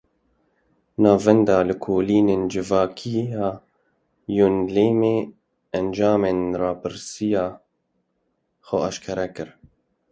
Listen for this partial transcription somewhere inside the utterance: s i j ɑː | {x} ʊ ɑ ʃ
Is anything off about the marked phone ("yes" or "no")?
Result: no